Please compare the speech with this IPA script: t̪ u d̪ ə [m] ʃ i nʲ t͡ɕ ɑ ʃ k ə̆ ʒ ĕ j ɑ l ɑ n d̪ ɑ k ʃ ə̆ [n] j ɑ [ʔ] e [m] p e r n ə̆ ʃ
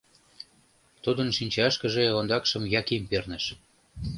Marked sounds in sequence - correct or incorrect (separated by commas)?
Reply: incorrect, incorrect, incorrect, correct